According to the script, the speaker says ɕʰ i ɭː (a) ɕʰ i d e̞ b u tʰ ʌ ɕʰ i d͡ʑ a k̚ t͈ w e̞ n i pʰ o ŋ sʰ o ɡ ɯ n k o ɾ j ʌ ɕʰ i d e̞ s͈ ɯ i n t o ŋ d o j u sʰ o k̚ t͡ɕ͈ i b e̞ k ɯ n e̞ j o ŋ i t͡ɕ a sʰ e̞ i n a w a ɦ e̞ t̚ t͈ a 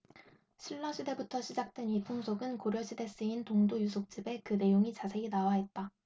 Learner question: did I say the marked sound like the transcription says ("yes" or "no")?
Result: no